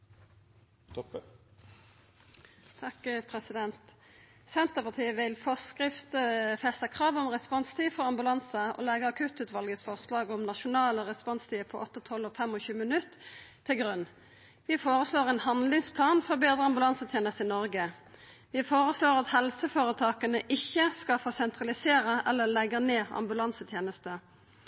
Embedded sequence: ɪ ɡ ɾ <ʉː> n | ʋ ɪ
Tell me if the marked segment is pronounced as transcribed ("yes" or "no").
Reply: no